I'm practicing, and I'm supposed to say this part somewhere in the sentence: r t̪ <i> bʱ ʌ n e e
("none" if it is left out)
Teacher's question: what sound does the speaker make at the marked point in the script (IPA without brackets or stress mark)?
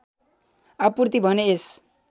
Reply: i